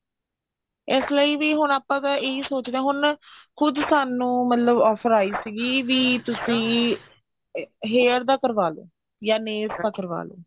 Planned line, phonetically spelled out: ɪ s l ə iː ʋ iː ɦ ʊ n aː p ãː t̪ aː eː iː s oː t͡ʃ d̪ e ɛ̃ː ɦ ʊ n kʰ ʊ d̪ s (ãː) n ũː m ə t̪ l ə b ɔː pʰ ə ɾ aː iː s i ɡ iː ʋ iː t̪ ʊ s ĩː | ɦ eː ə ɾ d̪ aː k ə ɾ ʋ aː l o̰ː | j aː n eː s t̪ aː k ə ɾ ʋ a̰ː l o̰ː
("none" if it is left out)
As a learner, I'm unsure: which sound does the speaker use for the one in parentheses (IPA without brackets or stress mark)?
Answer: aː